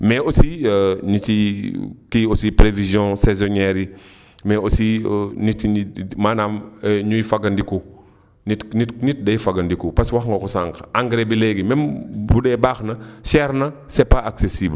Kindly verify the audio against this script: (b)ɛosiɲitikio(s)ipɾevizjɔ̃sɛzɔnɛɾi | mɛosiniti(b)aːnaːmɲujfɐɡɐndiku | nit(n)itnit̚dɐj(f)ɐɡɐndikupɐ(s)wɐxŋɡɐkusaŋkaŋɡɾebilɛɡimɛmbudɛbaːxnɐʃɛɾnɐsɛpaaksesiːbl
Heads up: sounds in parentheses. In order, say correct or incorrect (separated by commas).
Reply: incorrect, correct, incorrect, correct, correct, correct